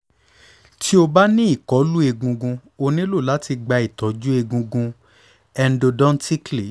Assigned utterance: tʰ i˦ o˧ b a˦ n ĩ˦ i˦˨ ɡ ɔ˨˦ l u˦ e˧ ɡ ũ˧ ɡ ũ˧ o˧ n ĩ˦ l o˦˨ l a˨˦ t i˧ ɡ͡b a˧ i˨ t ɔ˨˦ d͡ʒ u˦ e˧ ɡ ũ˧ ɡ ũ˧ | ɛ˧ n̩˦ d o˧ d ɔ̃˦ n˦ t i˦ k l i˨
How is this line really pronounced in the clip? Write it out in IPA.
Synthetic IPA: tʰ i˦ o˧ b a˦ n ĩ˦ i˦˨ k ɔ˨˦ l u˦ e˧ ɡ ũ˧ ɡ ũ˧ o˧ n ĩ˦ l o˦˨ l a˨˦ t i˧ ɡ͡b a˧ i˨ t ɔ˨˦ d͡ʒ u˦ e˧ ɡ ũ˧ ɡ ũ˧ | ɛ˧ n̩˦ d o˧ d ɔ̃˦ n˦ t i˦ k l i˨